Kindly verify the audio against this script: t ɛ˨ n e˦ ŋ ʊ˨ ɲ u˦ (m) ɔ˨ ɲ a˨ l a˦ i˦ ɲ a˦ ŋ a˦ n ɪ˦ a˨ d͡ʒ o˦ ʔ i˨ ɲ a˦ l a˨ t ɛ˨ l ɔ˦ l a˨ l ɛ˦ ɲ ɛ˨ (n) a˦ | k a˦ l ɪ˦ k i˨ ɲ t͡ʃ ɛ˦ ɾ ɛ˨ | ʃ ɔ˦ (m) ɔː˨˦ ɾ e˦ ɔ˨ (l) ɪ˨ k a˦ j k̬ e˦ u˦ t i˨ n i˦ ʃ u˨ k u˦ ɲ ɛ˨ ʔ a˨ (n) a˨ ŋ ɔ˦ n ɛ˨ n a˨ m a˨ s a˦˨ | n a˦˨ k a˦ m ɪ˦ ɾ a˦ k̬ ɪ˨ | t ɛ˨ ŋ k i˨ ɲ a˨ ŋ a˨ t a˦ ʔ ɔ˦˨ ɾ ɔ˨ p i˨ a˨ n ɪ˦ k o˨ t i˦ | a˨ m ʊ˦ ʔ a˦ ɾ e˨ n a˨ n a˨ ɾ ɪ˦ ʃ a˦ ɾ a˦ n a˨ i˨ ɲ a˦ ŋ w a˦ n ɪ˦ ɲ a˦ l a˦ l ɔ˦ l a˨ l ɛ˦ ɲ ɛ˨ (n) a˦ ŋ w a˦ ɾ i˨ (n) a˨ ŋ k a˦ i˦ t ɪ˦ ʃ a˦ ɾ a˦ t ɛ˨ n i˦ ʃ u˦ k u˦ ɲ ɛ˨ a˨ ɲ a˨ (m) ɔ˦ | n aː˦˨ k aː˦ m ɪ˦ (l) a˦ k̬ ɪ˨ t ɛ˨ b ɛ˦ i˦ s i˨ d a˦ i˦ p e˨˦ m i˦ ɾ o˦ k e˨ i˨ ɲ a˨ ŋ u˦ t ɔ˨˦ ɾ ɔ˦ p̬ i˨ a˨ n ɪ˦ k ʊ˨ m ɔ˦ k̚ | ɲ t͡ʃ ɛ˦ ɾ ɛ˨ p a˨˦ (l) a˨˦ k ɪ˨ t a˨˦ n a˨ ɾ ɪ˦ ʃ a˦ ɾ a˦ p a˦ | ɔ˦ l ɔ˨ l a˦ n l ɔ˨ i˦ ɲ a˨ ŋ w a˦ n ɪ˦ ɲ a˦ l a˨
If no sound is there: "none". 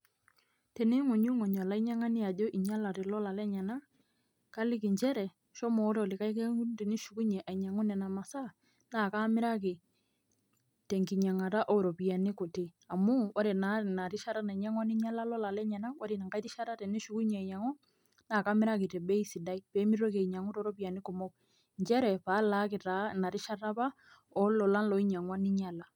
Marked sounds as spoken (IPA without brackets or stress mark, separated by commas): ŋ, n, m, l, ɲ, n, n, ŋ, ɾ, l